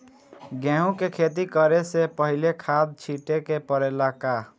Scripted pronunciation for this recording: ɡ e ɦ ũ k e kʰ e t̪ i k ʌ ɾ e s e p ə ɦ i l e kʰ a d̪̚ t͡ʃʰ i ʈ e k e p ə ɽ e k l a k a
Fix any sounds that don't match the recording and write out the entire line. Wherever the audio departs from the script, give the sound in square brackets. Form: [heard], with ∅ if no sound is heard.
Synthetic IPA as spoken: ɡ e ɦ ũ k e kʰ e t̪ i k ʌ ɾ e s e p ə ɦ i l e kʰ a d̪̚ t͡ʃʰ i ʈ e k e p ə [ɾ] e [∅] l a k a